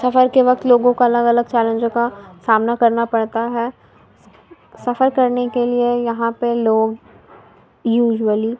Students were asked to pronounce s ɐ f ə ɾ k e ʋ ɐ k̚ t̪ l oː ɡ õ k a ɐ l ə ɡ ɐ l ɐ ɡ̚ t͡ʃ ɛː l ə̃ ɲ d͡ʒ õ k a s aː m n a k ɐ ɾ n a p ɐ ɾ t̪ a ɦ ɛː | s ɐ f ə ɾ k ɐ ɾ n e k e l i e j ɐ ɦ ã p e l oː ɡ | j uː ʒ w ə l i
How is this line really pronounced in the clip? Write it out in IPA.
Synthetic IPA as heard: s ɐ f ə ɾ k e ʋ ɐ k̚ t̪ l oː ɡ õ k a ɐ l ə ɡ ɐ l ə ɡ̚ t͡ʃ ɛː l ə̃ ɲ d͡ʒ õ k a s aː m n a k ɐ ɾ n a p ɐ ɽ t̪ a ɦ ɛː | s ɐ f ə ɾ k ɐ ɾ n e k e l i e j ɐ ɦ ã p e l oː ɡ | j uː ʒ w ə l i